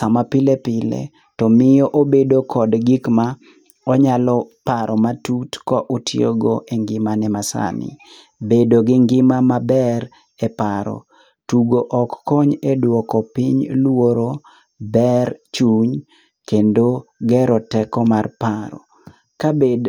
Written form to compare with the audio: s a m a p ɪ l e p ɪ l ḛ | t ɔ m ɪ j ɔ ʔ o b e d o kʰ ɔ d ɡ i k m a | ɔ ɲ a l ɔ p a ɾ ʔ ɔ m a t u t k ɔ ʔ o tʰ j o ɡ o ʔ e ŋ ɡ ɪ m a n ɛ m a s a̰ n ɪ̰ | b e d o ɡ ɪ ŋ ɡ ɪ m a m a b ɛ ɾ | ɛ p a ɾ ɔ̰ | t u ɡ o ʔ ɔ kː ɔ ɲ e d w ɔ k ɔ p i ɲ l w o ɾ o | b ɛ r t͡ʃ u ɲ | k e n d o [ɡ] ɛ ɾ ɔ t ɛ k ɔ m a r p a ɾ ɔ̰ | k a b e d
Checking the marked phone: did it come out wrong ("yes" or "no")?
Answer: no